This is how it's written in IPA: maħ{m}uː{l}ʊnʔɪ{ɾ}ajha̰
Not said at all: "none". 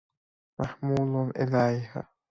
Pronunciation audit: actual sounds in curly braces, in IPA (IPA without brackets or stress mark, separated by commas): m, l, l